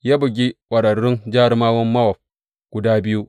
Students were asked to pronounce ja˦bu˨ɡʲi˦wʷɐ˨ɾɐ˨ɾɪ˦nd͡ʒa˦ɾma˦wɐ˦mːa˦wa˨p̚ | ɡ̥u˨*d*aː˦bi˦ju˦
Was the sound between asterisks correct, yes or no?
yes